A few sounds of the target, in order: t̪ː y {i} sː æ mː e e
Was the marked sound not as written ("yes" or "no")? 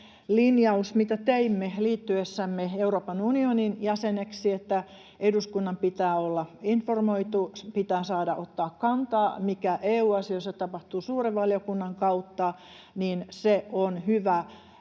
yes